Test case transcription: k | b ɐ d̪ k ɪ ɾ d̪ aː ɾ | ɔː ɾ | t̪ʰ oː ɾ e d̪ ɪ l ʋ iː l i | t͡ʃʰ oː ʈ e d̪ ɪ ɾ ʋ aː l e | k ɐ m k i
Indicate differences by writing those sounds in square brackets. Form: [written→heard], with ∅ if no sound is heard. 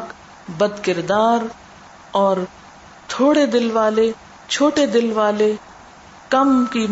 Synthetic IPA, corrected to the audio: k | b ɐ d̪ k ɪ ɾ d̪ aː ɾ | ɔː ɾ | t̪ʰ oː [ɾ→ɽ] e d̪ ɪ l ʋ [iː→aː] l [i→e] | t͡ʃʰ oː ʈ e d̪ ɪ [ɾ→l] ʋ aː l e | k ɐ m k i